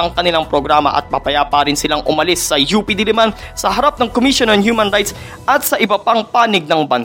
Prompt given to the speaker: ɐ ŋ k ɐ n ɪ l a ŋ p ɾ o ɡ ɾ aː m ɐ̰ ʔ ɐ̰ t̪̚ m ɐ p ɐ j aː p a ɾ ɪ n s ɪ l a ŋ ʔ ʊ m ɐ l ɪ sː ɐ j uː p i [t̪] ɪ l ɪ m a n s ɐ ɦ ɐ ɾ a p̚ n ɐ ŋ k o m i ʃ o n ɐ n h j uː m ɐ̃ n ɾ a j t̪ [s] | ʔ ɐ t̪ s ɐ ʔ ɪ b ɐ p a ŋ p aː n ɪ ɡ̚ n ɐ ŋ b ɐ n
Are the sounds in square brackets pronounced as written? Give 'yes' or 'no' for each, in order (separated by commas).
no, yes